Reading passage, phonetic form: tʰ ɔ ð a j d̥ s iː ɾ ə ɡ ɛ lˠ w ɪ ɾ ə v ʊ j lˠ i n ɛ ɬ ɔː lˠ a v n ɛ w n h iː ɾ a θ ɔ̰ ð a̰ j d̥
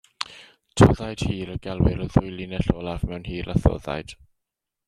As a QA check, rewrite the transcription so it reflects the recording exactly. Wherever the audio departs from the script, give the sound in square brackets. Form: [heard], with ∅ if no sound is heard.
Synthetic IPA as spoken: tʰ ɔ ð a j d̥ [h] iː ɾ ə ɡ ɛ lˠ w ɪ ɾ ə [ð] ʊ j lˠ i n ɛ ɬ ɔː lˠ a v [m] ɛ w n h iː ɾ a θ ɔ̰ ð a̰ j d̥